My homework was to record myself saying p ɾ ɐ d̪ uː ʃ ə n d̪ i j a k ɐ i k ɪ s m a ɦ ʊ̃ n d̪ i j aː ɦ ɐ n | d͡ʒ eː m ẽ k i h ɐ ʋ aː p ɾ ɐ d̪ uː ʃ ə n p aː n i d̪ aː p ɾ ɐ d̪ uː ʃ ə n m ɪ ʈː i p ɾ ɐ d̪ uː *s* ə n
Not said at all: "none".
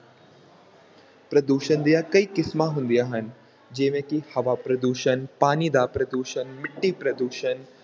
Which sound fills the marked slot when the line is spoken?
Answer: ʃ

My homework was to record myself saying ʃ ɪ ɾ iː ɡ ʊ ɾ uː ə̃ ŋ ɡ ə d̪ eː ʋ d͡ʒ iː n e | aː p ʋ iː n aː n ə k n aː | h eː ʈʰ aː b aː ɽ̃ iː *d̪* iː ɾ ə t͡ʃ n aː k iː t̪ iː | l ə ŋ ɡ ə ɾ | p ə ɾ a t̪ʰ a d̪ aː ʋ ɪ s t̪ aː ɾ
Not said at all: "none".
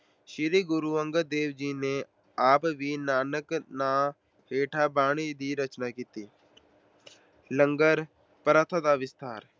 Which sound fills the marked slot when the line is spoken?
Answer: d̪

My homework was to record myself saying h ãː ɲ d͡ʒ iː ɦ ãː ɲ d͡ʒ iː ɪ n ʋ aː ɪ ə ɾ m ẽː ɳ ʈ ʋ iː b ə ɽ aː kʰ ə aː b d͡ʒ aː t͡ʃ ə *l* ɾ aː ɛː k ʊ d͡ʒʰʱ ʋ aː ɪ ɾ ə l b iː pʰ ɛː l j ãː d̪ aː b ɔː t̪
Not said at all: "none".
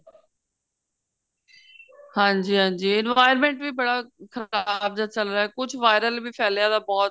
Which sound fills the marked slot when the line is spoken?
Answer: l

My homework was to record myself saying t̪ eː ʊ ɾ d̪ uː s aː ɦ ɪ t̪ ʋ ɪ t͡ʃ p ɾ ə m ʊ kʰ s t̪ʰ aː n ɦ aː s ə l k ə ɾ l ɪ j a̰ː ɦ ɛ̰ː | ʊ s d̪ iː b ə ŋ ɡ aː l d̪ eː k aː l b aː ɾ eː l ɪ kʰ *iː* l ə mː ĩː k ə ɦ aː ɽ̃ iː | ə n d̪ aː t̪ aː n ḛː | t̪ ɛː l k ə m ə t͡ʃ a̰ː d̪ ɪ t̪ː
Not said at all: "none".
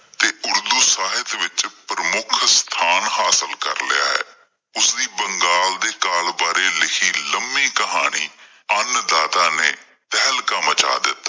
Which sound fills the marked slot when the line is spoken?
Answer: iː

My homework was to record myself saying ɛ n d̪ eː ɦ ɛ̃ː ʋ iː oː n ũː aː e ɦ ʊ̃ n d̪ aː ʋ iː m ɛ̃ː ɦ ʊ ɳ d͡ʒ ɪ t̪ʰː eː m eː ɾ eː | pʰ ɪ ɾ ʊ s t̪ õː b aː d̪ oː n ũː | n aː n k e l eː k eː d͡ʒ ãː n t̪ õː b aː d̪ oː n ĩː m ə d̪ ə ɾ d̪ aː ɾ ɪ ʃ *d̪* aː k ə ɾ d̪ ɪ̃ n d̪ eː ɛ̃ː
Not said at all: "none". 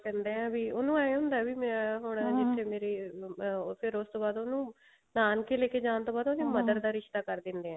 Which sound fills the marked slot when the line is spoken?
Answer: t̪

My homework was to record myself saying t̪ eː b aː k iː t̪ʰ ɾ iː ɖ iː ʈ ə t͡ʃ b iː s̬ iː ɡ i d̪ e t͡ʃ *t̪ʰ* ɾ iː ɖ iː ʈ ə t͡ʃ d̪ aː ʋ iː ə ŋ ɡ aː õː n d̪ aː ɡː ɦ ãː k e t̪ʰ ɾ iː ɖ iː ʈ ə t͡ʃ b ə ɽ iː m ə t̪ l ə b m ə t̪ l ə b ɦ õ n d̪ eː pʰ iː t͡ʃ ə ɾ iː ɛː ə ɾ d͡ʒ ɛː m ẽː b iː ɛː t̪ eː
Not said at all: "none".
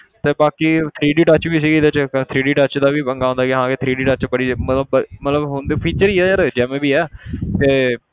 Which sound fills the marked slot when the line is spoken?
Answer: t̪ʰ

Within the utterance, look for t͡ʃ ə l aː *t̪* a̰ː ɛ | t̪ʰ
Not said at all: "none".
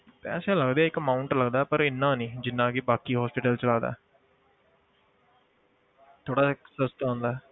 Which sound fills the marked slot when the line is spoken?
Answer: d̪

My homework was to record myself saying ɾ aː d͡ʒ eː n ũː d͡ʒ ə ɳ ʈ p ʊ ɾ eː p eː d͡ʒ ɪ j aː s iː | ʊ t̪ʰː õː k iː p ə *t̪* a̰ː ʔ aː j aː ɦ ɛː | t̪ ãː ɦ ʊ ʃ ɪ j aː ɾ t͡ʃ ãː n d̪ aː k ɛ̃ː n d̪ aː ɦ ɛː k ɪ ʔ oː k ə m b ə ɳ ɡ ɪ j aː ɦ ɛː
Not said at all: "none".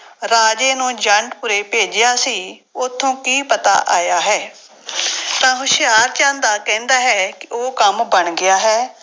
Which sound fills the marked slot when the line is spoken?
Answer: t̪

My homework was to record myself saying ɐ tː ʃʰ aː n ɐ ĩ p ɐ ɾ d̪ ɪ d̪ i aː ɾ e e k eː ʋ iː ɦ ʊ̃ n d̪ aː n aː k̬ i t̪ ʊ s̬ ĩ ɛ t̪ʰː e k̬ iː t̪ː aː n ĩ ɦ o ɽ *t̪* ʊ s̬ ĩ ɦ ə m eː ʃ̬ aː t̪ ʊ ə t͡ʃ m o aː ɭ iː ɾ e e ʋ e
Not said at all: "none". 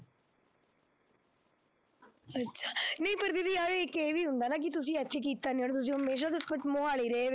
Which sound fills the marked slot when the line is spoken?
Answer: t̪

